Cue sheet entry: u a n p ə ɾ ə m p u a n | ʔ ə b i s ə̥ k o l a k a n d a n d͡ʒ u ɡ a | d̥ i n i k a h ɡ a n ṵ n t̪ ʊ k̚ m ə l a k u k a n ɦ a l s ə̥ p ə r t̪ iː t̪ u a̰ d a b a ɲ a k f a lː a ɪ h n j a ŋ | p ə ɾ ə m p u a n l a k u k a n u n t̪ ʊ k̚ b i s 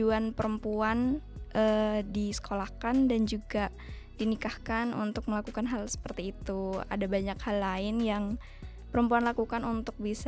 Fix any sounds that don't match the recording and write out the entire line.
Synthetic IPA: u a n p ə ɾ ə m p u a n | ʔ ə d i s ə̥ k o l a k a n d a n d͡ʒ u ɡ a | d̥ i n i k a h k a n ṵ n t̪ ʊ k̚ m ə l a k u k a n ɦ a l s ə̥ p ə r t̪ iː t̪ u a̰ d a b a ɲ a k h a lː a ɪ n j a ŋ | p ə ɾ ə m p u a n l a k u k a n u n t̪ ʊ k̚ b i s